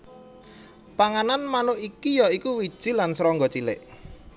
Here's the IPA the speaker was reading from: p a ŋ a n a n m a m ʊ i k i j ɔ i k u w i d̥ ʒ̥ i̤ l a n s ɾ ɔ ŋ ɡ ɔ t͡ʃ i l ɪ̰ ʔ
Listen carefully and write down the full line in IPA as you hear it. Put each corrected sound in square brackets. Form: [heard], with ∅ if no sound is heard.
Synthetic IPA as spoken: p a ŋ a n a n m a [n] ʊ i k i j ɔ i k u w i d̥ ʒ̥ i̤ l a n s ɾ ɔ ŋ ɡ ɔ t͡ʃ i l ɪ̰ ʔ